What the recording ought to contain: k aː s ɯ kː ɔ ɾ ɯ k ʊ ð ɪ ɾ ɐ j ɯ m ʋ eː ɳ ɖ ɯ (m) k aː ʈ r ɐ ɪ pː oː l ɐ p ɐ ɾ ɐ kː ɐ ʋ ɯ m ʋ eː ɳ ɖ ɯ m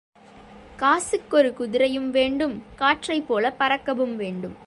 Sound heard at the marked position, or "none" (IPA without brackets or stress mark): m